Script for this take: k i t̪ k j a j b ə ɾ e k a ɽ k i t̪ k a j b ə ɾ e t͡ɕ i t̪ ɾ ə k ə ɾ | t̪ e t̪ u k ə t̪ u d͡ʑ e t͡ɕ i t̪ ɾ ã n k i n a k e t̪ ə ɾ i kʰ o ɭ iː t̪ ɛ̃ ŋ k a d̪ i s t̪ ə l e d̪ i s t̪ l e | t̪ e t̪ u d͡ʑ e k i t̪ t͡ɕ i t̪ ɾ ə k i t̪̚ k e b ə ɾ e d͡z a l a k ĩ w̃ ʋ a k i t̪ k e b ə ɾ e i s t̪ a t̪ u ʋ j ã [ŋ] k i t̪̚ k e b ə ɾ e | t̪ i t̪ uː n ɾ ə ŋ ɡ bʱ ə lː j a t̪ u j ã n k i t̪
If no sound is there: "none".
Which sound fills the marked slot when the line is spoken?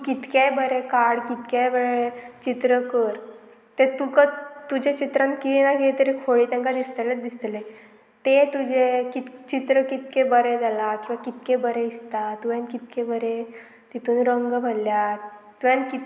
n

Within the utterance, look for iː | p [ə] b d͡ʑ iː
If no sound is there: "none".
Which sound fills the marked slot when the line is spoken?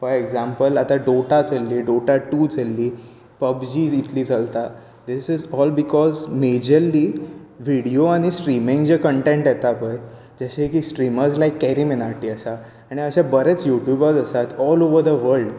ə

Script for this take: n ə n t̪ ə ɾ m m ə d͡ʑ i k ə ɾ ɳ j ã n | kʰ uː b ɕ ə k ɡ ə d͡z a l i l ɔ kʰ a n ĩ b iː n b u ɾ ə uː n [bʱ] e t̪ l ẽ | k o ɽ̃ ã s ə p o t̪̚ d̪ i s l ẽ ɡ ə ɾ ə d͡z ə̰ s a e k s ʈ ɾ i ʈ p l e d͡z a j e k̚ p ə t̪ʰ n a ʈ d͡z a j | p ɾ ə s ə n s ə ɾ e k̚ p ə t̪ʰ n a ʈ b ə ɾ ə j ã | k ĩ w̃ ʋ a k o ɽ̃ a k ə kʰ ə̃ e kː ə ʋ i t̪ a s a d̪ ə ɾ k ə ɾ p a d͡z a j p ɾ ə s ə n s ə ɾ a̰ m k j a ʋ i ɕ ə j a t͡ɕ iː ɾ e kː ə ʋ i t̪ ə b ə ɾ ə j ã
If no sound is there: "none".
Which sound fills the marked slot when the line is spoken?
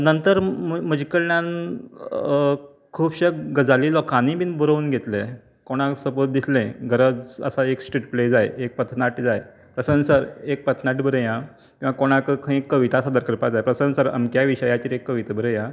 ɡʱ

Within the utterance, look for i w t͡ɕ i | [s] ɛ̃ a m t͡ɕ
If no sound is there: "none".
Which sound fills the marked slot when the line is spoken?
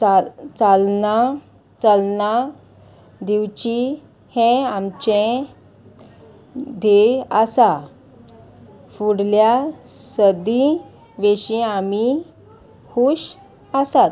h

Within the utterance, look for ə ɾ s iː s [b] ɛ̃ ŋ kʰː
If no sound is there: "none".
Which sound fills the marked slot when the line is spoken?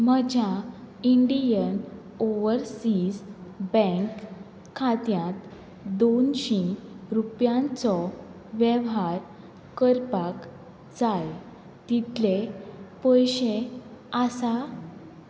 b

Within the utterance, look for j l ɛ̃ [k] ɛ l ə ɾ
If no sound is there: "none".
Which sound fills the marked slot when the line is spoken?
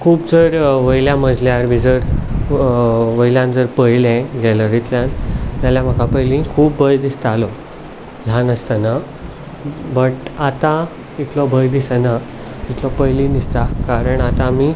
ɡ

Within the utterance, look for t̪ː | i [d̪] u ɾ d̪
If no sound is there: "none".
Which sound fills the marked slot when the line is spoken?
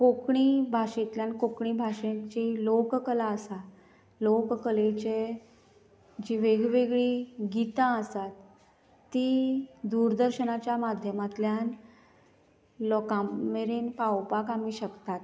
d̪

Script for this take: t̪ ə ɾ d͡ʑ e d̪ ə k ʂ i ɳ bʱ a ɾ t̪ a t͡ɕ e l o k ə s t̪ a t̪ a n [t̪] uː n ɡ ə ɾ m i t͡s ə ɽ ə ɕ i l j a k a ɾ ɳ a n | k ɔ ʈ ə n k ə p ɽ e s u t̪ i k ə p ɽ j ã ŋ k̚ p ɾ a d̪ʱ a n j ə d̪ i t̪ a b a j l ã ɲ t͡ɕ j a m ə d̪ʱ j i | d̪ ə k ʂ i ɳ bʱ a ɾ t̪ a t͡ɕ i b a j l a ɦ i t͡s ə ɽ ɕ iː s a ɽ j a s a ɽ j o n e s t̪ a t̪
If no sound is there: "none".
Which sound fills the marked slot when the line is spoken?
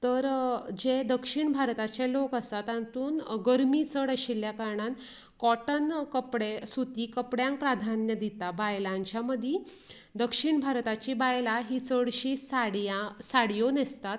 t̪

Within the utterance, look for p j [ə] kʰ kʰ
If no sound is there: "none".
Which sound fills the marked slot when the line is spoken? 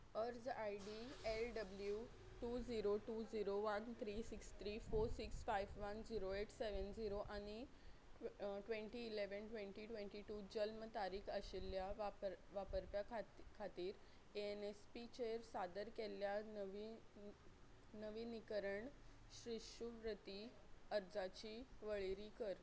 a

